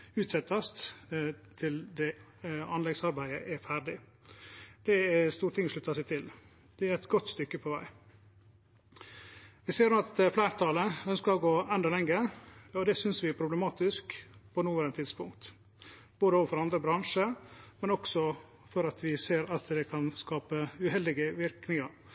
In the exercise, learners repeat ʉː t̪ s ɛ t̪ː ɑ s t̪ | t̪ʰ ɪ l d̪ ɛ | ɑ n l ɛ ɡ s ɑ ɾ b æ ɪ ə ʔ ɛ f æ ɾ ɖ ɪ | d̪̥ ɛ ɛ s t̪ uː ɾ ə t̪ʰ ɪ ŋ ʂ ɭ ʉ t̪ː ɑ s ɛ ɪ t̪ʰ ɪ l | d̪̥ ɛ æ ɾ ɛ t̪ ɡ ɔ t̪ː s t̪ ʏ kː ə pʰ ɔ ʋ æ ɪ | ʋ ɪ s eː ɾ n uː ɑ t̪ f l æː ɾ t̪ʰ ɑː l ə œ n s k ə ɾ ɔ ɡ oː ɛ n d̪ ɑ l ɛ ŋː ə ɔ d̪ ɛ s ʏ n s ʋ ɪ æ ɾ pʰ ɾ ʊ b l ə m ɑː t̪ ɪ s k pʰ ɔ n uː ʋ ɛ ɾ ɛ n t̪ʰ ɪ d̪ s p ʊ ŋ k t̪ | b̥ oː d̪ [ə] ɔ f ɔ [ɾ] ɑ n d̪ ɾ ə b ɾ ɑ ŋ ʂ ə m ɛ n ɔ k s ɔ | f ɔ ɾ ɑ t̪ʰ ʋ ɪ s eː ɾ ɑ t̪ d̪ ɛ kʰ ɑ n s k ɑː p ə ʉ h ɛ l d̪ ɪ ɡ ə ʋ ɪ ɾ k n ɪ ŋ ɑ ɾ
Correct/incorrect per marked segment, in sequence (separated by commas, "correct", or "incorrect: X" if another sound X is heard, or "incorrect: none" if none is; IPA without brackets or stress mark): correct, correct